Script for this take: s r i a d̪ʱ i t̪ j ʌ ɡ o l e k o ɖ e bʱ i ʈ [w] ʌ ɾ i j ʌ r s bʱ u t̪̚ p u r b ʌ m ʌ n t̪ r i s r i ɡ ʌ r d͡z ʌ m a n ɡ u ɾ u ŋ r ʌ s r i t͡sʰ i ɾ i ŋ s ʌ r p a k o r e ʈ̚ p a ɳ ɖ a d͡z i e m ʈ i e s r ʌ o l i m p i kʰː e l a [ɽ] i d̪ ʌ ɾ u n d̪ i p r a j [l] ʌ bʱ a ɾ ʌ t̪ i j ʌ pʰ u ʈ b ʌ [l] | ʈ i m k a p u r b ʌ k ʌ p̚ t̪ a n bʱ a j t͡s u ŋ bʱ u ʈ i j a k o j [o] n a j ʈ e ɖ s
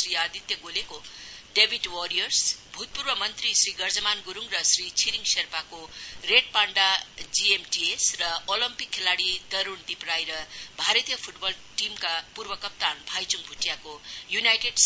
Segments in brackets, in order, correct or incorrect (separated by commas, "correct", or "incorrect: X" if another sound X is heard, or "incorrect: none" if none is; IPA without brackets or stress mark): correct, correct, incorrect: ɾ, correct, incorrect: u